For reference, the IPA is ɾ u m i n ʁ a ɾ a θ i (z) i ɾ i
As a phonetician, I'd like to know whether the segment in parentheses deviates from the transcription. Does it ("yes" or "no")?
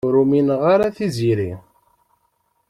no